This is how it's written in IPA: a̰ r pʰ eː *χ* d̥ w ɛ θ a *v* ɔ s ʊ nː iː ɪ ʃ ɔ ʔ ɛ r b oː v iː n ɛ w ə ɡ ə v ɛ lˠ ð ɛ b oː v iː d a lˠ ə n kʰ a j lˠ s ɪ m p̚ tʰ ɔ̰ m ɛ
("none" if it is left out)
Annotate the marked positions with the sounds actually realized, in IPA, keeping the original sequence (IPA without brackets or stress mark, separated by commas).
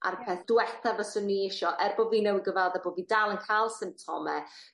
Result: θ, v